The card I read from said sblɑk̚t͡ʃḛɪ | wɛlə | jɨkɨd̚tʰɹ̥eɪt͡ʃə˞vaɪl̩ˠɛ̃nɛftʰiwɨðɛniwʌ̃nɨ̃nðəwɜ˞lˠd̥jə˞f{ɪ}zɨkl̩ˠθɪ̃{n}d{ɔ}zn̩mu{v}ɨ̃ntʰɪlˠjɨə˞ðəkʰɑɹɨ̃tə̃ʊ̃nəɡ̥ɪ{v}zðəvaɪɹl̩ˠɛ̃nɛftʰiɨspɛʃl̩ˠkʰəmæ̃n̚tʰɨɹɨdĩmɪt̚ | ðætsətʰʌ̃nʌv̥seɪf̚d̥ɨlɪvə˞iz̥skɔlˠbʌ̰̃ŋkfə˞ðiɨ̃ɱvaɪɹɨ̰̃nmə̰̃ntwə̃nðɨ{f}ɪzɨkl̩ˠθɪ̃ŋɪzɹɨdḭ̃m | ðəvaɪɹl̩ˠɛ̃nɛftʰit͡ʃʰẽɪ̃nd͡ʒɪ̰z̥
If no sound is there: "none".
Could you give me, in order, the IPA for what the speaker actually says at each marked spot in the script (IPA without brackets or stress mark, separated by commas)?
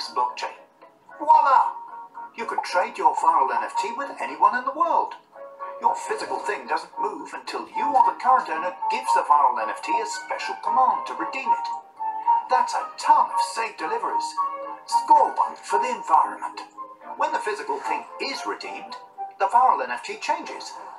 ɪ, ŋ, ʌ, v, v, f